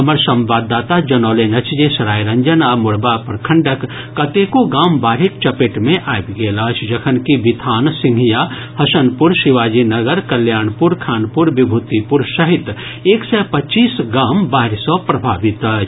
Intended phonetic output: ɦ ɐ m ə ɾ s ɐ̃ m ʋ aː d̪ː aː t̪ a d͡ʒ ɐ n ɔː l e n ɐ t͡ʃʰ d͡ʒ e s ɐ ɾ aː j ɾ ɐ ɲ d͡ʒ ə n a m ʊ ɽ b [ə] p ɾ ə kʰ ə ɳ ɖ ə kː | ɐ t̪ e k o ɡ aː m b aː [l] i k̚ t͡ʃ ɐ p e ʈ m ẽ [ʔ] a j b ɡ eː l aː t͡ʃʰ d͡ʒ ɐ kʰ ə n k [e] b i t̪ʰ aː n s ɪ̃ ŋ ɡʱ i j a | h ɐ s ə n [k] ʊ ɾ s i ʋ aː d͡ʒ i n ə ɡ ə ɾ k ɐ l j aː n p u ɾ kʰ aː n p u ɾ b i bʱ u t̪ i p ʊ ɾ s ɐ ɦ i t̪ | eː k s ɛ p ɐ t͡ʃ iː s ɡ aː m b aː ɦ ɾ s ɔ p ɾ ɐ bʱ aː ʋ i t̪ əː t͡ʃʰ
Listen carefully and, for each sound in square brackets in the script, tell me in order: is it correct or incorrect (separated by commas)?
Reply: incorrect, incorrect, correct, incorrect, incorrect